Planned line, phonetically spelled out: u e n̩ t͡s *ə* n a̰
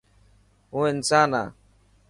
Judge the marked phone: incorrect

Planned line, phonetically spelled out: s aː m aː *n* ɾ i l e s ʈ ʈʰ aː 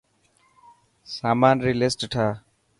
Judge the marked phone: correct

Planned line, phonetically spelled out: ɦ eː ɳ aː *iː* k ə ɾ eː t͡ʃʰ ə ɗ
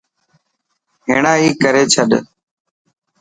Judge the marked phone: correct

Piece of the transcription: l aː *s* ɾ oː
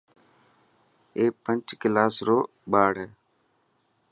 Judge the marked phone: correct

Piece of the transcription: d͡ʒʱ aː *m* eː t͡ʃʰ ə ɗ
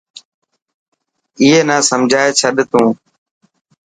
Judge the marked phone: incorrect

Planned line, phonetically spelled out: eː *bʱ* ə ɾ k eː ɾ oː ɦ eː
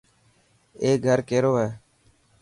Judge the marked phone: incorrect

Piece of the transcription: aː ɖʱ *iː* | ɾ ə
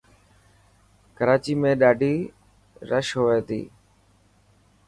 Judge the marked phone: correct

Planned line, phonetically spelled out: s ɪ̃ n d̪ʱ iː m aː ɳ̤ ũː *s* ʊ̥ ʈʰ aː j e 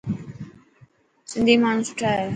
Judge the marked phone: correct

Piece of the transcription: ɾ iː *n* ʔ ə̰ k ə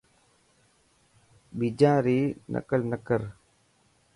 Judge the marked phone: correct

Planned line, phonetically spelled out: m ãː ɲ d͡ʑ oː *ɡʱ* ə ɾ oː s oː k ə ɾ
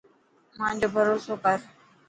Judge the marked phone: incorrect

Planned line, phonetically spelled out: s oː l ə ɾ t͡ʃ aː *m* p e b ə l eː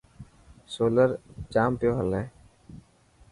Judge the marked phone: correct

